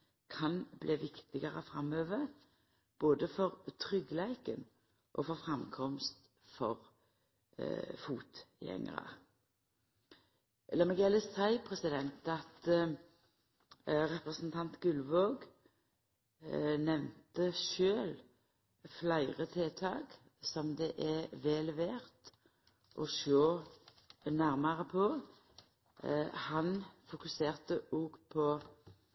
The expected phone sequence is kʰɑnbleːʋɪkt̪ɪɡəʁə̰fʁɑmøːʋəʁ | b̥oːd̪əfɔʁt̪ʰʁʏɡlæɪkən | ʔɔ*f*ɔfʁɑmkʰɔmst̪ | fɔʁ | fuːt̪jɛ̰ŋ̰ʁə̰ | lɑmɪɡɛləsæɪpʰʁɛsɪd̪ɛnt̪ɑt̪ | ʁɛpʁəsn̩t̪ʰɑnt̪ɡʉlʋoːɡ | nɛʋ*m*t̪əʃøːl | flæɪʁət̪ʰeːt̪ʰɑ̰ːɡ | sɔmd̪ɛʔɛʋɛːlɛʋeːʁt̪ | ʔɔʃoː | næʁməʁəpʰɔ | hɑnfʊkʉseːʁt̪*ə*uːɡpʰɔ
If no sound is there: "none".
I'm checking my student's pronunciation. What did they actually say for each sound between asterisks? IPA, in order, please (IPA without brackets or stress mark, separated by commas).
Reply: f, n, ə